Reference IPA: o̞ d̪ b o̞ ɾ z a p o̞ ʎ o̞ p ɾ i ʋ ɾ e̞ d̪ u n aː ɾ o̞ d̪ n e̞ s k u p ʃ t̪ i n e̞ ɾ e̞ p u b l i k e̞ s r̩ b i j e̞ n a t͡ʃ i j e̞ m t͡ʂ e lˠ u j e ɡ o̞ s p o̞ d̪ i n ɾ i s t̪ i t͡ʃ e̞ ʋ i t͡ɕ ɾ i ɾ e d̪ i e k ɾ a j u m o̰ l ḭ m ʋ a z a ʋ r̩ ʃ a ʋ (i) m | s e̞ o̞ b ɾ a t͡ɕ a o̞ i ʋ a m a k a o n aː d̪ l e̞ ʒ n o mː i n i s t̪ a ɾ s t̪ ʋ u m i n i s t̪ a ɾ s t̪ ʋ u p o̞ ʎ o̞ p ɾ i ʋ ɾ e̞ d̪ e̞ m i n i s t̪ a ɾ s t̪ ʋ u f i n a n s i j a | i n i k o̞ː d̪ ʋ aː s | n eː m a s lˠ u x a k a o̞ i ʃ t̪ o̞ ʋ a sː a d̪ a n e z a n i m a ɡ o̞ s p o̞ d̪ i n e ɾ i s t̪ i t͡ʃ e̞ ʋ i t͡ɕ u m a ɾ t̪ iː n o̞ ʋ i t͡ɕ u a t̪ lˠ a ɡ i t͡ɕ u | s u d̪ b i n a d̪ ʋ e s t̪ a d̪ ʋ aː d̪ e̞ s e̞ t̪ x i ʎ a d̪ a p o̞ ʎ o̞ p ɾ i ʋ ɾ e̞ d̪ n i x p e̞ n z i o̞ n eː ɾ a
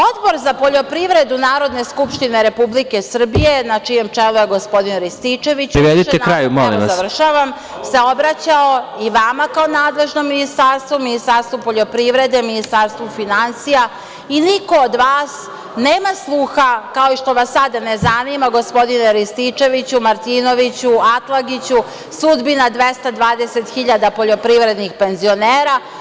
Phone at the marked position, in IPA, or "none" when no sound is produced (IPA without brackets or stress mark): a